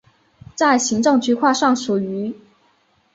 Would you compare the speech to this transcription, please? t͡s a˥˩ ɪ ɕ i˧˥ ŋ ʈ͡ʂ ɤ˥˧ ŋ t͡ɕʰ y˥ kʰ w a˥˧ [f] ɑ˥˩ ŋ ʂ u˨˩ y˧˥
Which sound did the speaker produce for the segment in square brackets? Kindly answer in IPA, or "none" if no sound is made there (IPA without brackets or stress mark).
ʂ